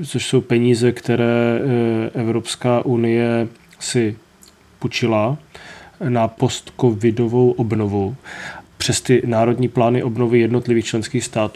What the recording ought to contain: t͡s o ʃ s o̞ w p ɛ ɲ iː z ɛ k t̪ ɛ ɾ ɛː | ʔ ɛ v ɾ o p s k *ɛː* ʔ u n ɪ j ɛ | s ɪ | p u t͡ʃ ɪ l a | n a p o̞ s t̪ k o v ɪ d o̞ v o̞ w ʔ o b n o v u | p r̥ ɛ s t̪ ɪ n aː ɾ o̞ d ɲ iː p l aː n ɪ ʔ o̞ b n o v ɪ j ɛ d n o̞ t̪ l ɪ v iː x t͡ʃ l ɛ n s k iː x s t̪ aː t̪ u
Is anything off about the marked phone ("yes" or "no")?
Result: yes